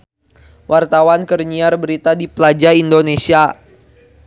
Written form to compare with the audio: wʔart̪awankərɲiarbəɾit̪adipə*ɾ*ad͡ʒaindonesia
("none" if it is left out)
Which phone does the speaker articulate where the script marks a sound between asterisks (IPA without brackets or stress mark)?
l